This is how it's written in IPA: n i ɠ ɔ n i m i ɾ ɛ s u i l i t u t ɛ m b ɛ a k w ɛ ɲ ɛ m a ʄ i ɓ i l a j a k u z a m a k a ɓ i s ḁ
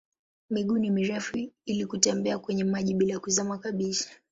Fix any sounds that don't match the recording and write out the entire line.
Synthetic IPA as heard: m i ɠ u n i m i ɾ ɛ f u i l i k u t ɛ m b ɛ a k w ɛ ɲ ɛ m a ʄ i ɓ i l a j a k u z a m a k a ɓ i s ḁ